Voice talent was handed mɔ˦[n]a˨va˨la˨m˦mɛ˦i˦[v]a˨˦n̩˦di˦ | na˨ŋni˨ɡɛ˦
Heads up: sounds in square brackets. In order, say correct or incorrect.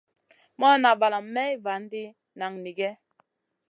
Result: correct, correct

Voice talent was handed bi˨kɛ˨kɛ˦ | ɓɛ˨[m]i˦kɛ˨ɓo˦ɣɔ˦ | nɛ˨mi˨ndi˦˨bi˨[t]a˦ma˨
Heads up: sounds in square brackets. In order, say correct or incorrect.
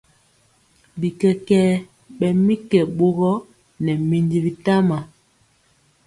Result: correct, correct

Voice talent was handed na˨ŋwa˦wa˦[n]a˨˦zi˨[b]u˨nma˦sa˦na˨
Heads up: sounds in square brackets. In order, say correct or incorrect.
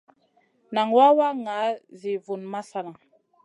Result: incorrect, incorrect

